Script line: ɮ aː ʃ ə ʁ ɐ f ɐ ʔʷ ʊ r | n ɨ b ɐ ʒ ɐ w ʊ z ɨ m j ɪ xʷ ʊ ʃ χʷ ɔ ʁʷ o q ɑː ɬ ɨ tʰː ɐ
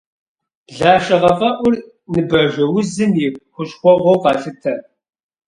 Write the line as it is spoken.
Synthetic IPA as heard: ɮ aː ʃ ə ʁ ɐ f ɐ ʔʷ ʊ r | n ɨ b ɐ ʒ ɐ w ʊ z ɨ m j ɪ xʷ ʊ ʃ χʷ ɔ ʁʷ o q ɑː ɬ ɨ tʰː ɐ